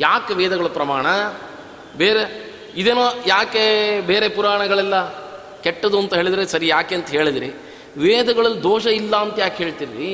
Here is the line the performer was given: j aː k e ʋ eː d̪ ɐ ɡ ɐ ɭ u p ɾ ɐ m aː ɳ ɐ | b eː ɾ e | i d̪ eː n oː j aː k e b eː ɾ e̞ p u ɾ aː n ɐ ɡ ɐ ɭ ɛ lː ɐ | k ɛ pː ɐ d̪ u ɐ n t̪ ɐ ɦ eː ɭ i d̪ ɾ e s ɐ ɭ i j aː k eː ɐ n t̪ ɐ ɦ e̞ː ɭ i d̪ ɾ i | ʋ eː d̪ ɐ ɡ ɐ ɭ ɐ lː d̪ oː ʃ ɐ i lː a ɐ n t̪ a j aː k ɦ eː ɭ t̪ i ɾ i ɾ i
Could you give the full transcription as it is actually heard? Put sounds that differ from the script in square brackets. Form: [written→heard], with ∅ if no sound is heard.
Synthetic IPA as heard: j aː k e ʋ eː d̪ ɐ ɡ ɐ ɭ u p ɾ ɐ m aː ɳ ɐ | b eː ɾ e | i d̪ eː n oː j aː k e b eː ɾ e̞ p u ɾ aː [n→ɳ] ɐ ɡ ɐ ɭ ɛ lː ɐ | k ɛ [pː→ʈː] ɐ d̪ u ɐ n t̪ ɐ ɦ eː ɭ i d̪ ɾ e s ɐ [ɭ→ɾ] i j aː k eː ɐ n t̪ ɐ ɦ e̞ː ɭ i d̪ ɾ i | ʋ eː d̪ ɐ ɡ ɐ ɭ ɐ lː d̪ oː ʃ ɐ i lː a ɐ n t̪ [a→ɐ] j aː k ɦ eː ɭ t̪ i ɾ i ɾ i